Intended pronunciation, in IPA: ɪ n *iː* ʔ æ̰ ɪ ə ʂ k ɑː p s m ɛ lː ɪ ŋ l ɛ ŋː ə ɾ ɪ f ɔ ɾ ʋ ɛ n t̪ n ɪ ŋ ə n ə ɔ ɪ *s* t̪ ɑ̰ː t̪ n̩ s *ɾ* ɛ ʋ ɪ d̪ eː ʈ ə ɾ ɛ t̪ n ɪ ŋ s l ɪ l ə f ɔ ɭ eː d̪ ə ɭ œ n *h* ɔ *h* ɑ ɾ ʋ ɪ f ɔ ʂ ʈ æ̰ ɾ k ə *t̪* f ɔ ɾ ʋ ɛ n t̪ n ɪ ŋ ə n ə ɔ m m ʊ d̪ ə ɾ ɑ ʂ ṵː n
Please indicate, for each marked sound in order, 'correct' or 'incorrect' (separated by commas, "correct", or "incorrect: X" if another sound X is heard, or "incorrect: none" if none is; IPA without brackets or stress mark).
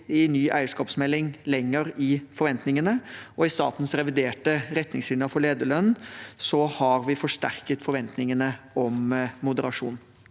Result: incorrect: yː, correct, correct, incorrect: s, correct, correct